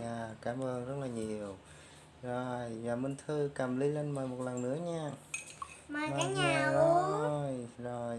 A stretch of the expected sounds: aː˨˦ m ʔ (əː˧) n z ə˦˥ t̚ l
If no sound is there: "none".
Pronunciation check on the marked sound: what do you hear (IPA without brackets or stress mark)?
əː˧